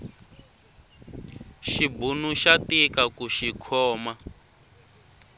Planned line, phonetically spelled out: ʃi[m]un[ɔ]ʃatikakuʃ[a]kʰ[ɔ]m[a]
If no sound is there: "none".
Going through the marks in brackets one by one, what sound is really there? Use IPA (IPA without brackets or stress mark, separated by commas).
b, u, i, ɔː, a